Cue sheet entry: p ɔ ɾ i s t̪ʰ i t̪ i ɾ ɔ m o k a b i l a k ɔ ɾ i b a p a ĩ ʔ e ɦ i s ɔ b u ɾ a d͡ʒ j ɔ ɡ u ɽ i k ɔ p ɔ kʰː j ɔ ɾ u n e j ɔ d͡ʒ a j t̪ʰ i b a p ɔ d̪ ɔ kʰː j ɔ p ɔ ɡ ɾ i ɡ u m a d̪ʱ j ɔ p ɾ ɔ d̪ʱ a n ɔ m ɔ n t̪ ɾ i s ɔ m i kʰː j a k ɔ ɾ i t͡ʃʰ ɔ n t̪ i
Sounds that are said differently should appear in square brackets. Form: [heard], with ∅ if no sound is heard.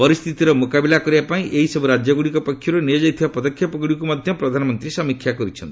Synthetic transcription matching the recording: p ɔ ɾ i s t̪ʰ i t̪ i ɾ ɔ m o k a b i l a k ɔ ɾ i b a p a ĩ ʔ e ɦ i s ɔ b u ɾ a d͡ʒ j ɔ ɡ u ɽ i k ɔ p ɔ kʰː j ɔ ɾ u n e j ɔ d͡ʒ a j t̪ʰ i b a p ɔ d̪ ɔ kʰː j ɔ p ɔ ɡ [ɽ] i [k] u m a d̪ʱ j ɔ p ɾ ɔ d̪ʱ a n ɔ m ɔ n t̪ ɾ i s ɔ m i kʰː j a k ɔ ɾ i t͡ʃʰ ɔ n t̪ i